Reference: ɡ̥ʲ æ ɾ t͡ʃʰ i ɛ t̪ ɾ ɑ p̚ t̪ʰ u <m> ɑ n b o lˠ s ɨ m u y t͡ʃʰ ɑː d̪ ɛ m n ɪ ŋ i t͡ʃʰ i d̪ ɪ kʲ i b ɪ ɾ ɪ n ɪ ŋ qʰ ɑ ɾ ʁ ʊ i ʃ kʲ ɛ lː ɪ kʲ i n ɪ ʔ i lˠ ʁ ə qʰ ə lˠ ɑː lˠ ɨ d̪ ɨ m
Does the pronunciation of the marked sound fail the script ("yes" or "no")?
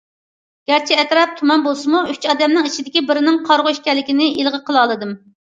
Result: no